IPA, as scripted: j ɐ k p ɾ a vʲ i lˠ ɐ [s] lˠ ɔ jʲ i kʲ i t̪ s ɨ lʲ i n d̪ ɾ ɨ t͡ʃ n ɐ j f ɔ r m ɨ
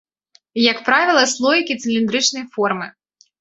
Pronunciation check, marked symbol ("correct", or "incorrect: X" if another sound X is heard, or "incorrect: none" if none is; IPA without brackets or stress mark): correct